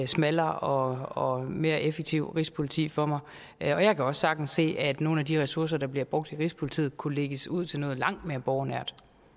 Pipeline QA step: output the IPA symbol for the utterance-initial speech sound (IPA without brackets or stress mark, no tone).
s